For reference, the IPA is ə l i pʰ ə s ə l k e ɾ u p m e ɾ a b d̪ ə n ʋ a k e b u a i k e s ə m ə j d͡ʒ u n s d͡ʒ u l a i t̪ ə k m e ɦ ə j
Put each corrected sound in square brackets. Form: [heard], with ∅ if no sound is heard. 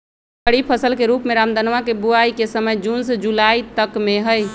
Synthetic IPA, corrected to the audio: ə [ɽ] i pʰ ə s ə l k e ɾ u p m e ɾ a [m] d̪ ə n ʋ a k e b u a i k e s ə m ə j d͡ʒ u n s d͡ʒ u l a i t̪ ə k m e ɦ ə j